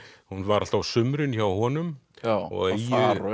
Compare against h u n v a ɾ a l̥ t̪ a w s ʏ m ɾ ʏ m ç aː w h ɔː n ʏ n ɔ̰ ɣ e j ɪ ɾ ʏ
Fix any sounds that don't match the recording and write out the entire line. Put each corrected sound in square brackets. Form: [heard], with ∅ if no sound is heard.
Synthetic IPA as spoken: h u n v a ɾ a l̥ t̪ a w s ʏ m ɾ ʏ [n] ç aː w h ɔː n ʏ [m] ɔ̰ ɣ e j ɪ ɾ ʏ